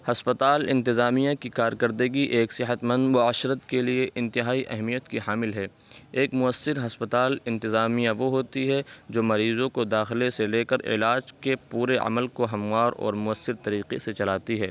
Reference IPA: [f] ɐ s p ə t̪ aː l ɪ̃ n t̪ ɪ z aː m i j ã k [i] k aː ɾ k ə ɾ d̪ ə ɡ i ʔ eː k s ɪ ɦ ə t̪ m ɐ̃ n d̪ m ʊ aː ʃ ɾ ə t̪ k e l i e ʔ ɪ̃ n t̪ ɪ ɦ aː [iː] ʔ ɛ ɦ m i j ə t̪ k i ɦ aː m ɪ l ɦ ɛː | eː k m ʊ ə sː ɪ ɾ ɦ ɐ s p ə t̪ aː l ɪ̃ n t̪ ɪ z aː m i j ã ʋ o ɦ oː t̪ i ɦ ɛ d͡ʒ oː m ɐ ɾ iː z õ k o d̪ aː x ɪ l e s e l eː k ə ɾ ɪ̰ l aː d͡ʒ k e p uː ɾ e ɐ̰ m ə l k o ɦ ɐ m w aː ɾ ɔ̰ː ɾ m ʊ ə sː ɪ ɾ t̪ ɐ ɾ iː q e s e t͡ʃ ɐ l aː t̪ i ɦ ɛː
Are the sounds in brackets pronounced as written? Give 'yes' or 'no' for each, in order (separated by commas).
no, yes, no